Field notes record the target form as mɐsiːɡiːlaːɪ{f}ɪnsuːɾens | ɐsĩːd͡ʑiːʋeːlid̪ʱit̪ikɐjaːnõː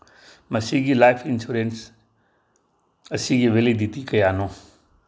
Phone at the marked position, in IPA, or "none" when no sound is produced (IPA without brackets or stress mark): f